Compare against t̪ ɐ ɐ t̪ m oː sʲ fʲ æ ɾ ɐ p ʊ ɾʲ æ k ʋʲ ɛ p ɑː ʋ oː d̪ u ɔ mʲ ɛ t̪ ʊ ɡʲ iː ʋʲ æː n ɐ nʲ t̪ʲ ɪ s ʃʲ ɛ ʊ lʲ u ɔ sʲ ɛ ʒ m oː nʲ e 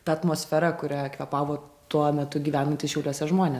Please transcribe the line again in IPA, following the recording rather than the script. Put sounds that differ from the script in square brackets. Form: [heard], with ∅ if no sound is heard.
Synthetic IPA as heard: t̪ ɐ ɐ t̪ m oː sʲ fʲ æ ɾ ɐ [k] ʊ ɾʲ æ k ʋʲ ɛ p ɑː ʋ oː [t̪] u ɔ mʲ ɛ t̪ ʊ ɡʲ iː ʋʲ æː n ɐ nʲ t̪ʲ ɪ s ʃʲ ɛ ʊ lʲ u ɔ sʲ ɛ ʒ m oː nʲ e